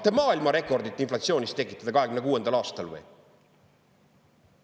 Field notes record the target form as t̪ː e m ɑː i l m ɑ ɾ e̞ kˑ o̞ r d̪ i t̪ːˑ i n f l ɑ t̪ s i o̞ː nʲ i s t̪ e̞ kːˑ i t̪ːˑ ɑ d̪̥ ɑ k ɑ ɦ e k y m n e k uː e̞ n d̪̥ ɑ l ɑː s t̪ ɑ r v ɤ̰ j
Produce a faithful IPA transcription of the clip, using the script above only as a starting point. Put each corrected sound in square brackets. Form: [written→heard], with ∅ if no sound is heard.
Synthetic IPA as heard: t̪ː e m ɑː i l m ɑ ɾ e̞ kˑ o̞ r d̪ i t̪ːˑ i n f l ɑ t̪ s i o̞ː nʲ i s t̪ e̞ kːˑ i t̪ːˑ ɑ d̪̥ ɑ k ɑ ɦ e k y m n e k uː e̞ n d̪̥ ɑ l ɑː s t̪ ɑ [r→l] v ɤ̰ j